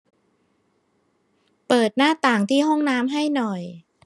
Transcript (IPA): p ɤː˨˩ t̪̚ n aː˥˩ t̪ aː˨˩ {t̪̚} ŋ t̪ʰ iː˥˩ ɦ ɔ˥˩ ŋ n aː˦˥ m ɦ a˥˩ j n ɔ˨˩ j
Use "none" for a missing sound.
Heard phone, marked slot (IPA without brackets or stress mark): none